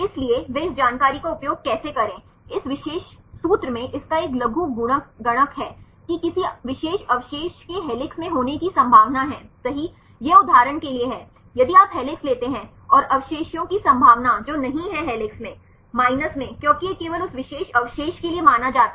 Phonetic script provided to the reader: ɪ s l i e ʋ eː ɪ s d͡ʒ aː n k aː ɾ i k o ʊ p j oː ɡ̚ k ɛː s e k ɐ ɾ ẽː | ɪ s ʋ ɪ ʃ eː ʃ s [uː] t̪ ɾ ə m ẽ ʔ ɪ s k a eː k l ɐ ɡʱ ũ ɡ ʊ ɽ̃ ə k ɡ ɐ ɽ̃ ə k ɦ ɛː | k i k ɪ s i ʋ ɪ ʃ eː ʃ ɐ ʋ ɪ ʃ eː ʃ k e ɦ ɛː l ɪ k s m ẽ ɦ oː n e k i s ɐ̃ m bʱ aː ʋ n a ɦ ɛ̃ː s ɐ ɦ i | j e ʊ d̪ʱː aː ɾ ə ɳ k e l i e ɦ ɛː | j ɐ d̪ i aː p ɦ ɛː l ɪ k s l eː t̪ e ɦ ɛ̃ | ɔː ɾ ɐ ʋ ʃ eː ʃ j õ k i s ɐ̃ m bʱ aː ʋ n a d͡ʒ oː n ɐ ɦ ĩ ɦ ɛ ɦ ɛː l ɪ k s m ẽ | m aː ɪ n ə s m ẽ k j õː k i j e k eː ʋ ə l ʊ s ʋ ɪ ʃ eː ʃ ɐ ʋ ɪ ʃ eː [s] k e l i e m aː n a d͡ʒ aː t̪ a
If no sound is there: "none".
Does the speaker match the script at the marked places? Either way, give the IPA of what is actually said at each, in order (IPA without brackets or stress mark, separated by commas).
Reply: uː, ʃ